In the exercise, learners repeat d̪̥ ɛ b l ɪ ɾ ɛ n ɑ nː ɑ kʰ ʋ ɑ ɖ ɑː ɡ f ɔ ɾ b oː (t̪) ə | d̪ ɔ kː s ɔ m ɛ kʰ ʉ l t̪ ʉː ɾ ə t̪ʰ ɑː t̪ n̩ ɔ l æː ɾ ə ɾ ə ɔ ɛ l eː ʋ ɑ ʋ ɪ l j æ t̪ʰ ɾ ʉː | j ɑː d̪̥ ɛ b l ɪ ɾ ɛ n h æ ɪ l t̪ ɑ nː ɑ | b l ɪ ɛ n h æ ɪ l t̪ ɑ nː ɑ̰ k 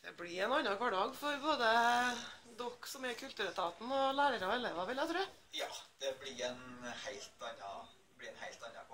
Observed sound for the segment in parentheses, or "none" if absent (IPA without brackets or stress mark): d̪